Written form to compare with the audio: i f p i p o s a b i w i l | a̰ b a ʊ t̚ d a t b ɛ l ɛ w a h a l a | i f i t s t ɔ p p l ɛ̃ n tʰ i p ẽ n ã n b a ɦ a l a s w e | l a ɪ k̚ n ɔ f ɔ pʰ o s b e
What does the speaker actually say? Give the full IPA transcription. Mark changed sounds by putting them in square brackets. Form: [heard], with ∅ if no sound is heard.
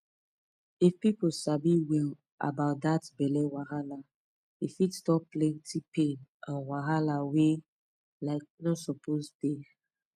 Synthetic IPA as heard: i f p i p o s a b i w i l | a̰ b a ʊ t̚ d a t b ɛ l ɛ w a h a l a | i f i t s t ɔ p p l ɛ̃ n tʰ i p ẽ n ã n [w] a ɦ a l a [∅] w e | l a ɪ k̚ n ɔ [s] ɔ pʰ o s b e